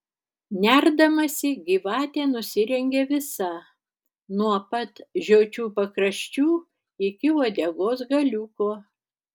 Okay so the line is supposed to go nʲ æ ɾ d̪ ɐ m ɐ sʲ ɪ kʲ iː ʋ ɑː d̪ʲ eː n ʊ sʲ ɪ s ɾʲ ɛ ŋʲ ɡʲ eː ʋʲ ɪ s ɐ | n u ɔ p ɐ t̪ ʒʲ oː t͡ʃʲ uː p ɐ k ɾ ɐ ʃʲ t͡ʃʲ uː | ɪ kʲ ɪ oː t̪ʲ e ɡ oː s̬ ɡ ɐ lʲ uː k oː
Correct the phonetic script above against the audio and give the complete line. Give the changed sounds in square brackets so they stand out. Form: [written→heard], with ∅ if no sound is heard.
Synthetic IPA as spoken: nʲ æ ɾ d̪ ɐ m ɐ sʲ ɪ [kʲ→ɡʲ] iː ʋ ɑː [d̪ʲ→t̪ʲ] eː n ʊ sʲ ɪ [s→∅] ɾʲ ɛ ŋʲ ɡʲ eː ʋʲ ɪ s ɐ | n u ɔ p ɐ t̪ ʒʲ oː t͡ʃʲ uː p ɐ k ɾ ɐ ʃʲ t͡ʃʲ uː | ɪ kʲ ɪ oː [t̪ʲ→d̪ʲ] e ɡ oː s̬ ɡ ɐ lʲ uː k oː